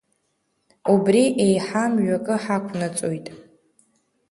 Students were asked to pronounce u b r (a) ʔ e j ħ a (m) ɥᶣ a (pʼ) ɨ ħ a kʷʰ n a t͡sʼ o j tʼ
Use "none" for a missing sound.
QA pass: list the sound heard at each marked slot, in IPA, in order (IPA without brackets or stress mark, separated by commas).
i, m, kʼ